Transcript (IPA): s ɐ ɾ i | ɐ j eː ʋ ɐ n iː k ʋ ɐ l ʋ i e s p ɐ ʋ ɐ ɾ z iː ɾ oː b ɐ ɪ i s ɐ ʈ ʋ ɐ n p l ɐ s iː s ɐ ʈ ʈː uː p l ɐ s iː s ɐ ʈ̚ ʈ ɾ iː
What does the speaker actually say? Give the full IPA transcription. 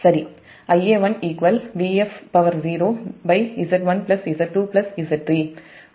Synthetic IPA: s ɐ ɾ i | ɐ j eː ʋ ɐ n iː k ʋ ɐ l ʋ i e f p ɐ ʋ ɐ ɾ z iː ɾ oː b ɐ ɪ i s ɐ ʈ ʋ ɐ n p l ɐ s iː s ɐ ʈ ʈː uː p l ɐ s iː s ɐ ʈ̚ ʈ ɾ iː